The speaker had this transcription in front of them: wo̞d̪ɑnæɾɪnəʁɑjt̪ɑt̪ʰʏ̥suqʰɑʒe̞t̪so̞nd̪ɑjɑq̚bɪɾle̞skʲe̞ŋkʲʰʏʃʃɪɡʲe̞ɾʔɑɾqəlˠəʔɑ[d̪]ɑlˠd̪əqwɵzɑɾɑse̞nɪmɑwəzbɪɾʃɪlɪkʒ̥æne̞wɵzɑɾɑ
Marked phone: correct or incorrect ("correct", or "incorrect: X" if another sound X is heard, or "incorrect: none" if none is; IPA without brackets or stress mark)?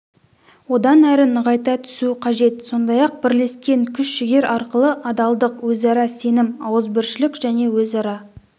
correct